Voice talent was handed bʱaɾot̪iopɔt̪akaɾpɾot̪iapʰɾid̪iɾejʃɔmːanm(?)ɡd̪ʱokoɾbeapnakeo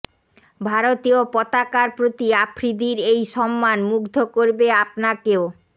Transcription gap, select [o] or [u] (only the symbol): u